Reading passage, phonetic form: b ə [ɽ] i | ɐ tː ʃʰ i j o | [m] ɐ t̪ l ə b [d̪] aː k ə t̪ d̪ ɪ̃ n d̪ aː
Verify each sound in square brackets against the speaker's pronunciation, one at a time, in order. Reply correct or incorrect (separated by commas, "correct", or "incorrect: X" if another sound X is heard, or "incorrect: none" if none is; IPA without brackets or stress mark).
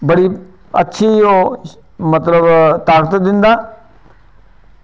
correct, correct, incorrect: t̪